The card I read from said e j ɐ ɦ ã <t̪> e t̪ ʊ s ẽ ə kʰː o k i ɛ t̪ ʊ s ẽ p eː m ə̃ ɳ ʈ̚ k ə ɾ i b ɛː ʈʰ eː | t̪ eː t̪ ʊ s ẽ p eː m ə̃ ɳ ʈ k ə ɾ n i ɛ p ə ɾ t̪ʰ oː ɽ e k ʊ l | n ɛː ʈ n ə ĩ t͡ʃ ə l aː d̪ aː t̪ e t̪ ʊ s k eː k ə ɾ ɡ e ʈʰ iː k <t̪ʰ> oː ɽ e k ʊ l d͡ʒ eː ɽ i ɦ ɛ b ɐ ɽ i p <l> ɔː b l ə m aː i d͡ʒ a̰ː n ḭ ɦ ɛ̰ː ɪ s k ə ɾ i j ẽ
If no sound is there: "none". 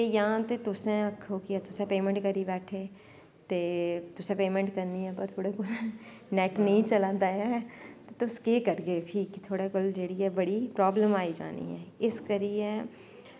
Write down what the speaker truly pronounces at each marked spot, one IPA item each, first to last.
t̪, t̪ʰ, ɾ

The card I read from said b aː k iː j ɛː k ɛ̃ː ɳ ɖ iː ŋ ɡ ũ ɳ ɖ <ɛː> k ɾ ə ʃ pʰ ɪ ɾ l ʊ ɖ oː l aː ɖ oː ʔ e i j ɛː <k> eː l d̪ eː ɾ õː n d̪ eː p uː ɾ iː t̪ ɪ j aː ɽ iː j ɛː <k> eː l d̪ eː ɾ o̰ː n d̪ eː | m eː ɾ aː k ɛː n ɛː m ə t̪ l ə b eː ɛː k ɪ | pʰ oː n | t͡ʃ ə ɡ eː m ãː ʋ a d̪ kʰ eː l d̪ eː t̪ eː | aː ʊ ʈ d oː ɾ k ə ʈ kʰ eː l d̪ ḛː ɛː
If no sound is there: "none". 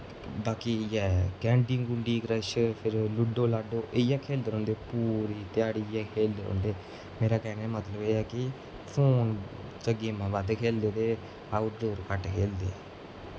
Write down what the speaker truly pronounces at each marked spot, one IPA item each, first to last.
iː, kʰ, kʰ

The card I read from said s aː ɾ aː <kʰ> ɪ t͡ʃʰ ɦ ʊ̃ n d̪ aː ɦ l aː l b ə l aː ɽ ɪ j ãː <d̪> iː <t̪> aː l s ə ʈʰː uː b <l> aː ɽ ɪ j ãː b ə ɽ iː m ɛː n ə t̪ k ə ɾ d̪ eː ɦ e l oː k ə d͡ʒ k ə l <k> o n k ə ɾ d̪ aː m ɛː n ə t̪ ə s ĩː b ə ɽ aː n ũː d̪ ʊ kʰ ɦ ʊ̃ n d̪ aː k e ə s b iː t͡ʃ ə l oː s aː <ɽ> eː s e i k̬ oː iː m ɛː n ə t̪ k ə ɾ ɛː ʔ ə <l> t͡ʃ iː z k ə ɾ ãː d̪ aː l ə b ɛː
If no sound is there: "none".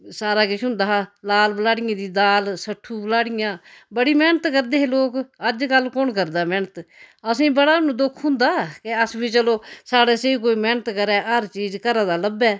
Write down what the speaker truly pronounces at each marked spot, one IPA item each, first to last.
k, d̪, d̪, l, k, ɽ, ɾ

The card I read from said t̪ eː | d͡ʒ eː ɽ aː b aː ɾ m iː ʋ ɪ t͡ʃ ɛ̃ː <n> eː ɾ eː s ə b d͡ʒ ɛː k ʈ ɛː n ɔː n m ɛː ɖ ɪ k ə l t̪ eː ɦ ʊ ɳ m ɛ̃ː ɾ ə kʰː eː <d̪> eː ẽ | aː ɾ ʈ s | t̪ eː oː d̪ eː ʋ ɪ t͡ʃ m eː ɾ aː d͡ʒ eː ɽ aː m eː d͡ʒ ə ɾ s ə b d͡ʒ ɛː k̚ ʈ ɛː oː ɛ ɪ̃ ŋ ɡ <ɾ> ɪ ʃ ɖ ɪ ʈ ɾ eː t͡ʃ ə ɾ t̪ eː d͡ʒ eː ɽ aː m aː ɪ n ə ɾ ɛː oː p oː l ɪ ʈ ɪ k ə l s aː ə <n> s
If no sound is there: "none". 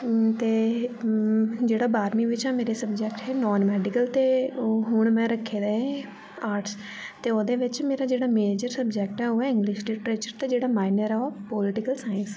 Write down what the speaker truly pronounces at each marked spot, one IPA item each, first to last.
m, d̪, l, n

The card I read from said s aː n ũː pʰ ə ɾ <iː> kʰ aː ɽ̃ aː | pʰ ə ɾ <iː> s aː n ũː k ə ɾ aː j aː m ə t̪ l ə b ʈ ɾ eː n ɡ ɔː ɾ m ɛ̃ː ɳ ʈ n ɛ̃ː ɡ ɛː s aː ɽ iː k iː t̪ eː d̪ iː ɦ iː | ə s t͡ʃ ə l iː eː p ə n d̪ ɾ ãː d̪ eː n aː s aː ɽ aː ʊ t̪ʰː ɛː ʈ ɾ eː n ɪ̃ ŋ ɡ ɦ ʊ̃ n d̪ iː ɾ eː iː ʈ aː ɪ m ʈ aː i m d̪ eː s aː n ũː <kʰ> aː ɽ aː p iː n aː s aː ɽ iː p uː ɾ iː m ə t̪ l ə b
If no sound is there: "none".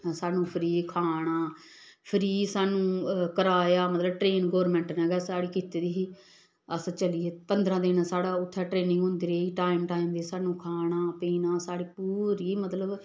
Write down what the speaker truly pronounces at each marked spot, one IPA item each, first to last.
iː, iː, kʰ

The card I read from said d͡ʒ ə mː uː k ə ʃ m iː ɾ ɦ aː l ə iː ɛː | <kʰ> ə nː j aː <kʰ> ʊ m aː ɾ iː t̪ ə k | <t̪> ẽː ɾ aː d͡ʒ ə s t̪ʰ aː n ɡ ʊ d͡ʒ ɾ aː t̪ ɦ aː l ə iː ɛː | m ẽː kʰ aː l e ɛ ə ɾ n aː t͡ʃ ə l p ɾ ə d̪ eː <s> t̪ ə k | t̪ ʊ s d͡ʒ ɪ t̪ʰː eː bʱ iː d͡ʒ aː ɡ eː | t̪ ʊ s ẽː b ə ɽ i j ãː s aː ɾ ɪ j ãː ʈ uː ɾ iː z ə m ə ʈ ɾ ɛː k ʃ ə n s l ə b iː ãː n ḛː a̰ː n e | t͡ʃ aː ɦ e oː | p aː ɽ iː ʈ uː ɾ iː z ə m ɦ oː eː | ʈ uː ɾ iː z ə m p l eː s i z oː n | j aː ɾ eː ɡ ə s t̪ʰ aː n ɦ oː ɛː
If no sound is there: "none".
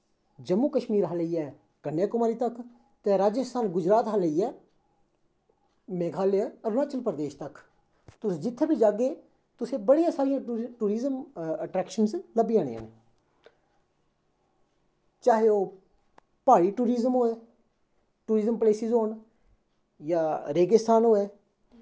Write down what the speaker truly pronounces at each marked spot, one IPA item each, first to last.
k, k, t̪, ʃ

